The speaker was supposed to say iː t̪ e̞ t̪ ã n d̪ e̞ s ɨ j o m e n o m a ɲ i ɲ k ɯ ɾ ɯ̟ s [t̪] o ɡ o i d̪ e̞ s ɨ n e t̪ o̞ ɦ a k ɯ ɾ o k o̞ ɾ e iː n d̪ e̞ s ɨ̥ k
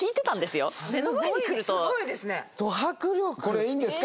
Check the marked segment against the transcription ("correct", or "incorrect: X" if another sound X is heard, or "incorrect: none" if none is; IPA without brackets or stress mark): correct